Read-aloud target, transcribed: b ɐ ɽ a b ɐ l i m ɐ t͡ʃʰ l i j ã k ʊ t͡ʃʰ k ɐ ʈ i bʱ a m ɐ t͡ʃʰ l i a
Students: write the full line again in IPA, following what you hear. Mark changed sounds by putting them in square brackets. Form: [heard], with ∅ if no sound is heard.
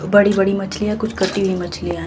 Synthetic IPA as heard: b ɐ ɽ [i] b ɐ [ɽ] i m ɐ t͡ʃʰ l i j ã k ʊ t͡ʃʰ k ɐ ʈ i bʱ [i] m ɐ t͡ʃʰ l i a